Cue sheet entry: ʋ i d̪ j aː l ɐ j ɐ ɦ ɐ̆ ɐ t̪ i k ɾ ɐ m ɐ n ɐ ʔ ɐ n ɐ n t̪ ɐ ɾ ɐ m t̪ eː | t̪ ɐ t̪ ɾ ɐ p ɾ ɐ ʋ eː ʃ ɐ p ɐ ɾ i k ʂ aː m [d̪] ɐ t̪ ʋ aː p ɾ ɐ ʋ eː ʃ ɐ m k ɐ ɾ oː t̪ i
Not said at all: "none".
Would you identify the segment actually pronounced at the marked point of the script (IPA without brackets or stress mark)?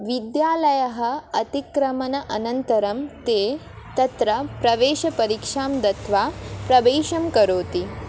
d̪